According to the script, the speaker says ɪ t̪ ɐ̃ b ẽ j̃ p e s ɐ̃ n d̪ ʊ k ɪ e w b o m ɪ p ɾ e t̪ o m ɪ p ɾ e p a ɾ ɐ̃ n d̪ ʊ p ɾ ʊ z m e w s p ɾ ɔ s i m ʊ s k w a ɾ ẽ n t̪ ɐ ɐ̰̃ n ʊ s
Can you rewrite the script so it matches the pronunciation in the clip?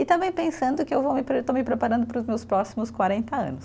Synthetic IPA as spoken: ɪ t̪ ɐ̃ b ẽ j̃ p ẽ s ɐ̃ n d̪ ʊ k ɪ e w v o m ɪ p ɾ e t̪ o m ɪ p ɾ e p a ɾ ɐ̃ n d̪ ʊ p ɾ ʊ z m e w s p ɾ ɔ s i m ʊ s k w a ɾ ẽ n t̪ ɐ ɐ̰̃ n ʊ s

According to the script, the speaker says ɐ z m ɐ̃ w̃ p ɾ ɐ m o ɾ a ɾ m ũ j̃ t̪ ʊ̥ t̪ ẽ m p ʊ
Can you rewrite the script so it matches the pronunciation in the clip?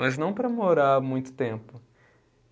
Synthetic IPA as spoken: ɐ z n ɐ̃ w̃ p ɾ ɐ m o ɾ a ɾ m ũ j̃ t̪ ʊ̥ t̪ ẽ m p ʊ

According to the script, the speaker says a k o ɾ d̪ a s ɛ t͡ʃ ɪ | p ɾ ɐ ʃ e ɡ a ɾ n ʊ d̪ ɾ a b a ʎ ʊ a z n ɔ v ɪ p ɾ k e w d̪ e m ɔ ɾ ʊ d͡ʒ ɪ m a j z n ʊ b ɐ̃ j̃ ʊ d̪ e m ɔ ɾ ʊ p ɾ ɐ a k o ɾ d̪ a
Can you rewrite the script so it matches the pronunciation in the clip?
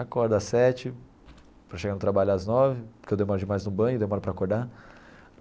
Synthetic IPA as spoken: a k ɔ ɾ d̪ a s ɛ t͡ʃ ɪ | p ɾ ɐ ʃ e ɡ a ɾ n ʊ t̪ ɾ a b a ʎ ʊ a z n ɔ v ɪ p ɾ k e w d̪ e m ɔ ɾ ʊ d͡ʒ ɪ m a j z n ʊ b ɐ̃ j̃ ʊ d̪ e m ɔ ɾ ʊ p ɾ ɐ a k o ɾ d̪ a

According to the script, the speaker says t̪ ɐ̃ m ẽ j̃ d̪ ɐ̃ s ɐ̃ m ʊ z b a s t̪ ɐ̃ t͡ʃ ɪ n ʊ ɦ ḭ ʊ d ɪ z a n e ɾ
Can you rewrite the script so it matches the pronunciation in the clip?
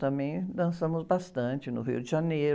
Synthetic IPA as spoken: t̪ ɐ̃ m ẽ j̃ d̪ ɐ̃ s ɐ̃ m ʊ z b a s t̪ ɐ̃ t͡ʃ ɪ n ʊ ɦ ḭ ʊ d ɪ ʒ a n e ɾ

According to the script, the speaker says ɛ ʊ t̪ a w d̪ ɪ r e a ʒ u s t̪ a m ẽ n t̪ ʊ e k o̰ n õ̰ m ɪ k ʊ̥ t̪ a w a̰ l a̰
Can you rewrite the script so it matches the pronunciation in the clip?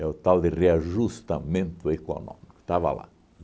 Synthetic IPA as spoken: ɛ ʊ t̪ a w d̪ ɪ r e a ʒ u s t̪ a m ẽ n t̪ ʊ e k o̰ n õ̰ m i k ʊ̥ t̪ a v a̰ l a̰

